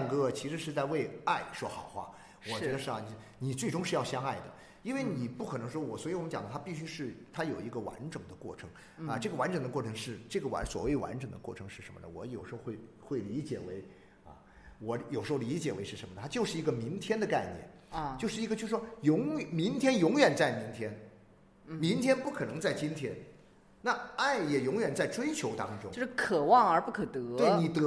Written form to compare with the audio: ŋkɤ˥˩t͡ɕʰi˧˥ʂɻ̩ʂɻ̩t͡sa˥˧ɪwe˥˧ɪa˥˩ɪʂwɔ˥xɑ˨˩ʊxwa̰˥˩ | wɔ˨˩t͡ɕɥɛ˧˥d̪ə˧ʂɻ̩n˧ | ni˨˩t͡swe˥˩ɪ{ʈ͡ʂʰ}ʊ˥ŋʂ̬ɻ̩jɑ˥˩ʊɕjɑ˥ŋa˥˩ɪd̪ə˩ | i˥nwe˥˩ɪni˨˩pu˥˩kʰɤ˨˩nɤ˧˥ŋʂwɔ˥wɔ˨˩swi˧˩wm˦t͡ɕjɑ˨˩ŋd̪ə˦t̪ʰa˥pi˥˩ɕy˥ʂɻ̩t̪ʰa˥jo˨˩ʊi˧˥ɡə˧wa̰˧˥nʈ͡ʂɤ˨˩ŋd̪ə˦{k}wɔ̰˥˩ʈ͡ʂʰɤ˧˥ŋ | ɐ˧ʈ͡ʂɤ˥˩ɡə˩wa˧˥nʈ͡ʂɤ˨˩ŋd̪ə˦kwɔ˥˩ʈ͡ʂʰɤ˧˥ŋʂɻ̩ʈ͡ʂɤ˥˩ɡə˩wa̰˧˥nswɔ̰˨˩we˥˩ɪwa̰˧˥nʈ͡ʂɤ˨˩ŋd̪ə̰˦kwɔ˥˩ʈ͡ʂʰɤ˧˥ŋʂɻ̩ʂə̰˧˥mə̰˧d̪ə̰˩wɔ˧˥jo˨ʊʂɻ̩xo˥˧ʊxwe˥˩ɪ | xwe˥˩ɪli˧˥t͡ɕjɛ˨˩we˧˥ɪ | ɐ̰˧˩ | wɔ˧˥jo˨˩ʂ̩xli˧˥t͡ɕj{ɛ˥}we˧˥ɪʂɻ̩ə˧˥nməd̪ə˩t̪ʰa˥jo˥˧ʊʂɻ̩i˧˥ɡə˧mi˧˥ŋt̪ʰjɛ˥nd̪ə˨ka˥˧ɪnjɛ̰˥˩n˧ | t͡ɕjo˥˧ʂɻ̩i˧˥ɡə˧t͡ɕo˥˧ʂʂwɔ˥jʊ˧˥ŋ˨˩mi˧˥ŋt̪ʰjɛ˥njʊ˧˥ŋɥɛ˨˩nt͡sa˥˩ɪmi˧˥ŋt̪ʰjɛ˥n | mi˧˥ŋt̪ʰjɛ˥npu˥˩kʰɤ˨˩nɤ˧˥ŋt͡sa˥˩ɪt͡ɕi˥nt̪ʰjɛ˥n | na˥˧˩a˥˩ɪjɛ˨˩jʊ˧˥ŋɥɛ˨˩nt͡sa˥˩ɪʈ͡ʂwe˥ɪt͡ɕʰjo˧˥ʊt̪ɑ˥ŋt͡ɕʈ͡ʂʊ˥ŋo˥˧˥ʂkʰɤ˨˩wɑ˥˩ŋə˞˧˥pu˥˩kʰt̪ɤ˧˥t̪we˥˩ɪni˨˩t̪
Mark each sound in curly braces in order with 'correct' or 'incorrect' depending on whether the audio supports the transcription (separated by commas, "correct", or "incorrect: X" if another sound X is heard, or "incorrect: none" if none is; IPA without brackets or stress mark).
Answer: incorrect: ʈ͡ʂ, correct, incorrect: ɛ˨˩